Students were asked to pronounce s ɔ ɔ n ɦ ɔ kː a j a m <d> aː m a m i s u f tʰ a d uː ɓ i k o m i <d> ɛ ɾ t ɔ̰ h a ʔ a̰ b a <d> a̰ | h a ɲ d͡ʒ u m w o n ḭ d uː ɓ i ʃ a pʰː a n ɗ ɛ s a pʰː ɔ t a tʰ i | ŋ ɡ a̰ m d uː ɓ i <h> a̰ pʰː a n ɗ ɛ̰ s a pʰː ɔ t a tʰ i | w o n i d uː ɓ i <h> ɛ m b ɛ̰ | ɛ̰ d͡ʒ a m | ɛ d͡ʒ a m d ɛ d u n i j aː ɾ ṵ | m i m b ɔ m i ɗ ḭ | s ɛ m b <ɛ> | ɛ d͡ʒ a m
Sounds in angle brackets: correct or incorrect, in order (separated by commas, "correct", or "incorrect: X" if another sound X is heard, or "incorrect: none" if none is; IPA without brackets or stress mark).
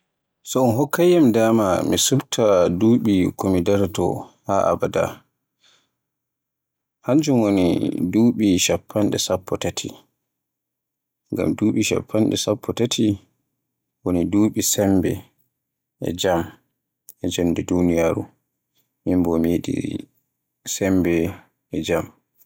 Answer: correct, correct, correct, incorrect: ʃ, incorrect: s, correct